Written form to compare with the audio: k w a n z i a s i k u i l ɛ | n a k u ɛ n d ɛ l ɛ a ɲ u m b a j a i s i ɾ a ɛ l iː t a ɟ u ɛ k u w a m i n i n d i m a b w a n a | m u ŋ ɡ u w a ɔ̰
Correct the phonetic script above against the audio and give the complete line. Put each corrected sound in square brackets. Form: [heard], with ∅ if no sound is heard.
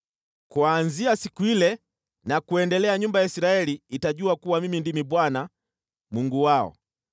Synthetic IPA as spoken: k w a n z i a s i k u i l ɛ | n a k u ɛ n d ɛ l ɛ a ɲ u m b a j a i s i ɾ a ɛ l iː t a ɟ u [a] k u w a m i [m] i n d i m [i] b w a n a | m u ŋ ɡ u w a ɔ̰